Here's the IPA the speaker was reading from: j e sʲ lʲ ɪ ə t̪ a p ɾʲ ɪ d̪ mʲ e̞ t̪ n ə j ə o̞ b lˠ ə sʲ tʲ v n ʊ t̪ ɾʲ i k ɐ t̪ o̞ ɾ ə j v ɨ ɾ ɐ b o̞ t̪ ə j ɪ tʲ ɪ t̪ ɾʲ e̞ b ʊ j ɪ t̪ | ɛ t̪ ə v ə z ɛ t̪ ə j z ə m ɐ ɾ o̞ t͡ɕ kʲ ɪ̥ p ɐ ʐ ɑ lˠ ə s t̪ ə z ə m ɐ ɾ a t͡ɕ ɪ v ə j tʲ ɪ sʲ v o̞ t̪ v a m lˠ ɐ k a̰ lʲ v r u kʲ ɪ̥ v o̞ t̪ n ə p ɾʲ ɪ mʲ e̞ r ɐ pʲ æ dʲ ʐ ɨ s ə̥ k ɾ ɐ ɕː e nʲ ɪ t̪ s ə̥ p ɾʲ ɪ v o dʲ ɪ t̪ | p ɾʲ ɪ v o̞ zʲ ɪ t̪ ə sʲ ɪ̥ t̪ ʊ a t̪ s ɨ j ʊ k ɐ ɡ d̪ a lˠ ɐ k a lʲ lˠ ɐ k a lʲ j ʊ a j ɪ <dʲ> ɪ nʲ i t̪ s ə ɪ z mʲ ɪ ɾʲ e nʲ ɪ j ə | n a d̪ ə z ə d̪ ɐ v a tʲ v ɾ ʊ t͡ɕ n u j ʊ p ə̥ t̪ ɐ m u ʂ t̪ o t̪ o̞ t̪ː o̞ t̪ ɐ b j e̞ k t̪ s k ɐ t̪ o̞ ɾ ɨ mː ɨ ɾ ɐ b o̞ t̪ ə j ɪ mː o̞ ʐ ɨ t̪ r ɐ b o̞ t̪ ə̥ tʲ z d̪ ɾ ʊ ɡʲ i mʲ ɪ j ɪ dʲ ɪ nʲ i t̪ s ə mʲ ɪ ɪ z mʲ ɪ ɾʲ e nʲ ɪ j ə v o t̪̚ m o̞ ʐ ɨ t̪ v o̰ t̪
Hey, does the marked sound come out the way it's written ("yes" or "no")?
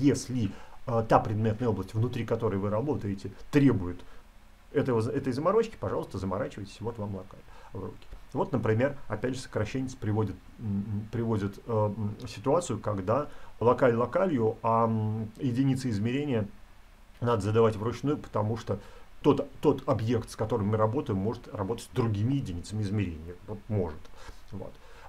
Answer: yes